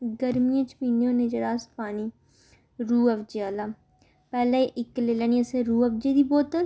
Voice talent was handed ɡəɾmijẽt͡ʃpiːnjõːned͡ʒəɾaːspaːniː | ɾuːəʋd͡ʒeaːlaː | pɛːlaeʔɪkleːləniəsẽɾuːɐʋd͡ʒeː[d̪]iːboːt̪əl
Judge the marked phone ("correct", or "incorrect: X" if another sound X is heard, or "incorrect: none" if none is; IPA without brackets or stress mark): correct